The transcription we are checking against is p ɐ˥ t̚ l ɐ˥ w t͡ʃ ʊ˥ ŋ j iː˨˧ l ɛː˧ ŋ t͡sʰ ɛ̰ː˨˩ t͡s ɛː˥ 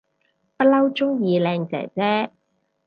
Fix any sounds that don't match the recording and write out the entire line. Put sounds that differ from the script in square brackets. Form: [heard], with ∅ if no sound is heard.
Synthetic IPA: p ɐ˥ t̚ l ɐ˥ w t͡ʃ ʊ˥ ŋ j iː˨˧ l ɛː˧ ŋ [t͡s] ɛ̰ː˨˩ t͡s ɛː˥